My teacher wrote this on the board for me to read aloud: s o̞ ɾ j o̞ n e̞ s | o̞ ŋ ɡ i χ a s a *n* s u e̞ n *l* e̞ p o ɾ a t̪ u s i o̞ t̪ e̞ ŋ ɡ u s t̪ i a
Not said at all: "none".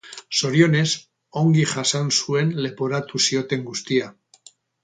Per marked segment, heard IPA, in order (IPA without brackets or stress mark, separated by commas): n, l